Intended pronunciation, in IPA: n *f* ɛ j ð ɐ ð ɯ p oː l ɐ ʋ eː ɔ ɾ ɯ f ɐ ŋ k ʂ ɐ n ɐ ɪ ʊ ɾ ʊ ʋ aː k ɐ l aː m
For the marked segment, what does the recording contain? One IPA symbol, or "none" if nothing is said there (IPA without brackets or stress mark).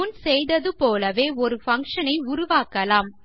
s